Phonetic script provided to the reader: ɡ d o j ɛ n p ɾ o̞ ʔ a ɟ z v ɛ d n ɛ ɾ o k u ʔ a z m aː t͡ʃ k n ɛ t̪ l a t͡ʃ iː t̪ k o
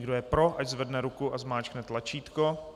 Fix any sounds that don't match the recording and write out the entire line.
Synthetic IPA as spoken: ɡ d o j ɛ p ɾ o̞ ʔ a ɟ z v ɛ d n ɛ ɾ u k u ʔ a z m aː t͡ʃ k n ɛ t̪ l a t͡ʃ iː t̪ k o